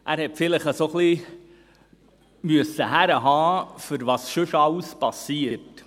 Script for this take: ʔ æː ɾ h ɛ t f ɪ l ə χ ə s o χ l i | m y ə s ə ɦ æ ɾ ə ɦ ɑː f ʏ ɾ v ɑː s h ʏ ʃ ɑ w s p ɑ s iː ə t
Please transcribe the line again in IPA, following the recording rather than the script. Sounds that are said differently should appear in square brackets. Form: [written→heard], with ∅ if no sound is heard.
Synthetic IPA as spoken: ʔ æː ɾ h ɛ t f ɪ l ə χ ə s o χ l i | m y ə s ə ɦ æ ɾ ə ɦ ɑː f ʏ ɾ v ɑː s [h→ʃ] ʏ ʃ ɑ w s p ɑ s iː ə t